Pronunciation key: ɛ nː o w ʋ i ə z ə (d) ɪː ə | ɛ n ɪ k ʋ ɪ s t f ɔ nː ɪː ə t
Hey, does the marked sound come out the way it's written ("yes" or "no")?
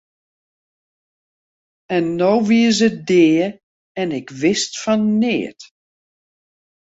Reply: yes